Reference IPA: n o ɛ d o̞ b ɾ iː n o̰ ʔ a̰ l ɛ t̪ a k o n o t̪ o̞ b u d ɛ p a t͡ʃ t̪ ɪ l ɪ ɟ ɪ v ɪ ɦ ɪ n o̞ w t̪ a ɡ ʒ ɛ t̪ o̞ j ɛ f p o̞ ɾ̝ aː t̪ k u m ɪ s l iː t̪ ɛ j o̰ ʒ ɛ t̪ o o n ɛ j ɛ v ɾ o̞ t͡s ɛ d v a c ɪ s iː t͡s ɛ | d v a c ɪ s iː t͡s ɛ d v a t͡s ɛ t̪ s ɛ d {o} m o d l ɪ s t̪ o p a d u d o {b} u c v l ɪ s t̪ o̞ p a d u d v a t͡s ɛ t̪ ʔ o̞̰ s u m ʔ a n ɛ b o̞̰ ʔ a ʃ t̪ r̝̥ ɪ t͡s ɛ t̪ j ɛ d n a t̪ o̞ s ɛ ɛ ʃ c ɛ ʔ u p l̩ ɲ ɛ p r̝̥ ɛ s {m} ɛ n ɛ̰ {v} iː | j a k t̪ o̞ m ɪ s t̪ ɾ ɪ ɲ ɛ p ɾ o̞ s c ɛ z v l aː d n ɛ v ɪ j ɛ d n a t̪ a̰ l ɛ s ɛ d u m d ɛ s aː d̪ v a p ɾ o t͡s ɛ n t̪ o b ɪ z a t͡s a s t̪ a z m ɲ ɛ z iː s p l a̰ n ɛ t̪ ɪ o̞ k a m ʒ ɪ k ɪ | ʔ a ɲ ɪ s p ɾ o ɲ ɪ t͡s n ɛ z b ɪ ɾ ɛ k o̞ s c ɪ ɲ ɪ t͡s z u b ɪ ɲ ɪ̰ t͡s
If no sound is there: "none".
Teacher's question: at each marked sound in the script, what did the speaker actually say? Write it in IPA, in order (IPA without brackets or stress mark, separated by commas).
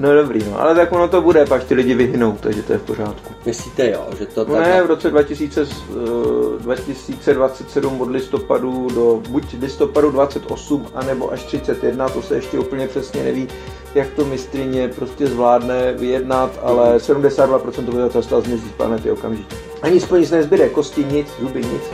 u, b, ɲ, v